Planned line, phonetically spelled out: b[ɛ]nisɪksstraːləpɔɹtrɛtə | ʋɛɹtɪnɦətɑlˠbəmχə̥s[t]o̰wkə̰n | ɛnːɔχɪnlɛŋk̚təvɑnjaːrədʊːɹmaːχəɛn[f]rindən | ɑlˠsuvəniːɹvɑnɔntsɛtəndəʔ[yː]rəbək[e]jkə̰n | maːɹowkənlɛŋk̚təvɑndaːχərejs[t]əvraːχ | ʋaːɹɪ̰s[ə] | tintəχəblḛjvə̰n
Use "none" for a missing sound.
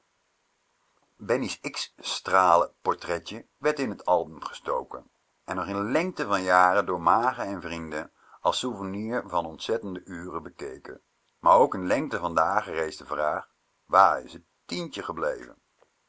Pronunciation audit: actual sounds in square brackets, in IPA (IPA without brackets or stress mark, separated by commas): ɛ, t, v, yː, e, d, ə